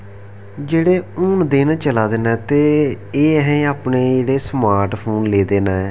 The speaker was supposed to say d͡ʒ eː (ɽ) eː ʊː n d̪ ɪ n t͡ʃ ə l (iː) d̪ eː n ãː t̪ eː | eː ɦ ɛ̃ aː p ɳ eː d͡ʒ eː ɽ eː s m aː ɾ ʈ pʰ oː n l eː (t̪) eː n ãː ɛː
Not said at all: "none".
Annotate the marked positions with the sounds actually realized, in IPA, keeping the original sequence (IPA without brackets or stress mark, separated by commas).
ɽ, aː, d̪